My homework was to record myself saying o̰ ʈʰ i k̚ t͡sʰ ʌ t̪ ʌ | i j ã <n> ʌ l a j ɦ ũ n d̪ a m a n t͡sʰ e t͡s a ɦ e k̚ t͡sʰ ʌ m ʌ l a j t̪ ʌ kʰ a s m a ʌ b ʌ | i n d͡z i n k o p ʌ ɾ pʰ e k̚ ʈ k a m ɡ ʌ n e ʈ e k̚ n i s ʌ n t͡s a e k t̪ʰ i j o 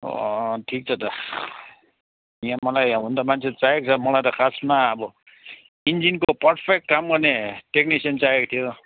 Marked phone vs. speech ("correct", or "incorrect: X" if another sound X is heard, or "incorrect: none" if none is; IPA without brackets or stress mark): incorrect: m